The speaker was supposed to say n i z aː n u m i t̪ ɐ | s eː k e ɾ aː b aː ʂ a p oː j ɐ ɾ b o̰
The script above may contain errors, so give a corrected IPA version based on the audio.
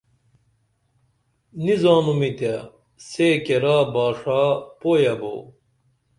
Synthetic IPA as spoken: n i z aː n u m i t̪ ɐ | s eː k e ɾ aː b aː ʂ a p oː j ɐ b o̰